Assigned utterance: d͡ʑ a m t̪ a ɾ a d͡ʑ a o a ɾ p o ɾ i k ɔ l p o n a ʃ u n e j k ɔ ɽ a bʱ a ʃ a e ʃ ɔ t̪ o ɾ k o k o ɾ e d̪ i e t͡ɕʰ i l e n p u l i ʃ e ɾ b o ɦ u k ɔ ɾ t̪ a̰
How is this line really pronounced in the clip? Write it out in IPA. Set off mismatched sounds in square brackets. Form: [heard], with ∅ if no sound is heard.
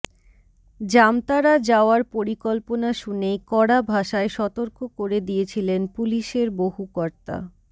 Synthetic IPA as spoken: d͡ʑ a m t̪ a ɾ a d͡ʑ a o a ɾ p o ɾ i k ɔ l p o n a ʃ u n e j k ɔ ɽ a bʱ a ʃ a e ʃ ɔ t̪ o ɾ k o k o ɾ e d̪ i e t͡ɕʰ i l e n p u l i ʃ e ɾ b o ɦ u k ɔ ɾ t̪ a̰